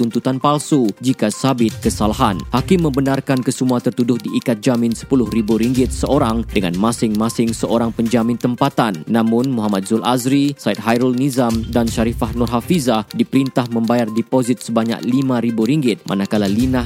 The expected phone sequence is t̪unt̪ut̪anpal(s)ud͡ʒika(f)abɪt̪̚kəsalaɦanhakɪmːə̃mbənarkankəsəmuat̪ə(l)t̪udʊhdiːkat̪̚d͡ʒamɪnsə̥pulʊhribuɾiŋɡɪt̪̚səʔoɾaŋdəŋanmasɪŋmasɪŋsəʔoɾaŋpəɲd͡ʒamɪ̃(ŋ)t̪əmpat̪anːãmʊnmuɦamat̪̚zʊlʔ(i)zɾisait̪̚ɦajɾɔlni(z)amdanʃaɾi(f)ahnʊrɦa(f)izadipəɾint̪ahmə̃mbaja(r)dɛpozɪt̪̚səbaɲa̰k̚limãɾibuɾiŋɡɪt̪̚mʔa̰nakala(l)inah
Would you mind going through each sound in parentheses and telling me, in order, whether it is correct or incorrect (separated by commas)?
correct, incorrect, incorrect, incorrect, incorrect, correct, correct, correct, correct, correct